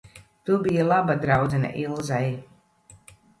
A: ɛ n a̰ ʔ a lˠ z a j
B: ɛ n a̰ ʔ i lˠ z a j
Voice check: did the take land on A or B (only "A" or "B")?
B